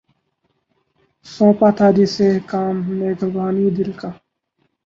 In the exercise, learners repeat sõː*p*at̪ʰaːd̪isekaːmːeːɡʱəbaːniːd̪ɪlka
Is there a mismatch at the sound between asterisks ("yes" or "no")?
no